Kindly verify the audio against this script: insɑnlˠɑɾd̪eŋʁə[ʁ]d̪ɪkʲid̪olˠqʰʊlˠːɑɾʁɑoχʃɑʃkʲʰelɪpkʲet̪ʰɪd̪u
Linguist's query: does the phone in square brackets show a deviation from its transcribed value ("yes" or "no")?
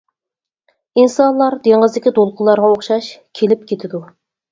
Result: yes